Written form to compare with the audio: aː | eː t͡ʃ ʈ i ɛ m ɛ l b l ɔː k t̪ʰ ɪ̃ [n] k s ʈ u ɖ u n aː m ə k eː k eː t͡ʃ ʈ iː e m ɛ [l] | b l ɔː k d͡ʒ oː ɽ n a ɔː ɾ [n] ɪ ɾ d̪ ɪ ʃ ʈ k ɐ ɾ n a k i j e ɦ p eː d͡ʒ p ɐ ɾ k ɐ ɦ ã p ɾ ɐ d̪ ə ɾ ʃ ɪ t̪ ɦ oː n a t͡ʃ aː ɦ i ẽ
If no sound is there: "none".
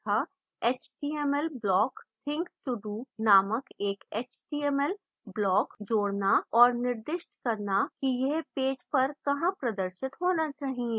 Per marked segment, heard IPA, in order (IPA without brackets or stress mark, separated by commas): ŋ, l, n